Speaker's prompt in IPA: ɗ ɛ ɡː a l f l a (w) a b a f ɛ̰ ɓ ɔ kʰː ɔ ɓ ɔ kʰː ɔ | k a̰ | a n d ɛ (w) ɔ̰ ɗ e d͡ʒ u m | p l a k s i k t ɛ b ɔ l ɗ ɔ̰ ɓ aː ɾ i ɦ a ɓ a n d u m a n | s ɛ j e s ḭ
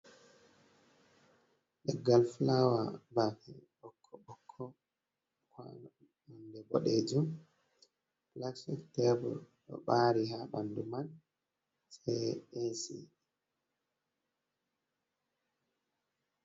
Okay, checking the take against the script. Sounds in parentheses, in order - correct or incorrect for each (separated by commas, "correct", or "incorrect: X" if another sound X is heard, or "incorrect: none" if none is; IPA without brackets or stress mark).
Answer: correct, incorrect: b